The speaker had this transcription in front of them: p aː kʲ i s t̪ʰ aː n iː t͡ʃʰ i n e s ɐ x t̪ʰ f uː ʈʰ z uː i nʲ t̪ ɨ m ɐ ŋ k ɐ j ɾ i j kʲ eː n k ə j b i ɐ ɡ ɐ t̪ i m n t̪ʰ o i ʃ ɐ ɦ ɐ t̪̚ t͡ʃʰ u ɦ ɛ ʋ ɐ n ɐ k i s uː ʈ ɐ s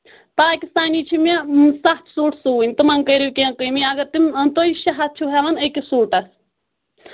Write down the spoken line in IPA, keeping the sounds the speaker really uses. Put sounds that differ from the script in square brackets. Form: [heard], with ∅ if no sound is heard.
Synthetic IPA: p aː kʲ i s [t̪] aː n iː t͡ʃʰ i [m] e s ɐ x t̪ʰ [s] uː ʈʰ [s] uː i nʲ t̪ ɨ m ɐ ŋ k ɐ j ɾ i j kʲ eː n k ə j [m] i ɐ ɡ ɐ t̪ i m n [t̪] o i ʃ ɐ ɦ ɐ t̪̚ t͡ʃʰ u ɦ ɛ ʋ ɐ n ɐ k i s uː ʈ ɐ s